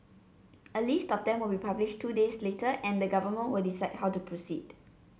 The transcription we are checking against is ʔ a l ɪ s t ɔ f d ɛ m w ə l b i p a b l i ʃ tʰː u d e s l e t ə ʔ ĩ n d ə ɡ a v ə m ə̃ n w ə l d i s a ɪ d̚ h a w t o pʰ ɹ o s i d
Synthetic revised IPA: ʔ ə l i s t ɔ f d ɛ̃ m w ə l b i p a b l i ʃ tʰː u d e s l e t ə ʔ ɛ̃ n d ə ɡ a v ə m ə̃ n w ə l d i s a ɪ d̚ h a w t u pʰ ɹ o s i d